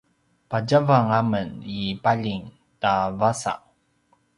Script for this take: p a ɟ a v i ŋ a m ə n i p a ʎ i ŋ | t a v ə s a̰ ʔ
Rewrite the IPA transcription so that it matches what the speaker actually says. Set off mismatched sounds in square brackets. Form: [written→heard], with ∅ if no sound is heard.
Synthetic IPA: p a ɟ a v [i→a] ŋ a m ə n i p a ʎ i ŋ | t a v [ə→a] s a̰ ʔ